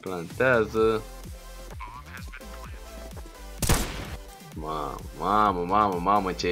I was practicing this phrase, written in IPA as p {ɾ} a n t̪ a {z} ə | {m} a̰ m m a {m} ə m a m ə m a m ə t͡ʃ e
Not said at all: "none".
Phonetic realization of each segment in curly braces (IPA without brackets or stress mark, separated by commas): l, z, m, m